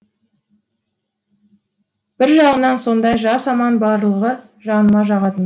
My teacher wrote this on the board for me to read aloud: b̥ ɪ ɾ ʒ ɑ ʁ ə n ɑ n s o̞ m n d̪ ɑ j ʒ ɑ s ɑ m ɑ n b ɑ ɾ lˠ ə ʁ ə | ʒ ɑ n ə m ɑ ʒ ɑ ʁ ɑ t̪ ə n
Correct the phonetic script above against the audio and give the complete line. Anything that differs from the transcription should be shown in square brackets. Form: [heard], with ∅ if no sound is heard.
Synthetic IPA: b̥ ɪ ɾ ʒ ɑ ʁ ə n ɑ n s o̞ [∅] n d̪ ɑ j ʒ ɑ s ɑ m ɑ n b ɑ ɾ lˠ ə ʁ ə | ʒ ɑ n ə m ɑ ʒ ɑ ʁ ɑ t̪ ə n